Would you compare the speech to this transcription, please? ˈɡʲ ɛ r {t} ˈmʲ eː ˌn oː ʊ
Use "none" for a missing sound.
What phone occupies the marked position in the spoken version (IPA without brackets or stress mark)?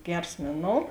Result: s